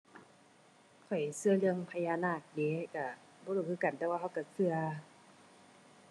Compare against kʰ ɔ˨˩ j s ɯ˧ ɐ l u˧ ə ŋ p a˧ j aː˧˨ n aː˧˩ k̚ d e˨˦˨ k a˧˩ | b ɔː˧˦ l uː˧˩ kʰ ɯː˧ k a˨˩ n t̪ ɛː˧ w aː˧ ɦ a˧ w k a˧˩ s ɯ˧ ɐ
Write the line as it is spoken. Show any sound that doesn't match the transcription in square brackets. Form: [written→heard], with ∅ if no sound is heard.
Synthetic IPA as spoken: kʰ ɔ˨˩ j s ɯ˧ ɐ l [u˧→ɯ˧] ə ŋ [p→pʰ] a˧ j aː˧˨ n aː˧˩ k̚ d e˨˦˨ k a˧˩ | b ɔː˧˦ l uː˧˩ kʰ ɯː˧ k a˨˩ n t̪ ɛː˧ w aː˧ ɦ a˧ w k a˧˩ s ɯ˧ ɐ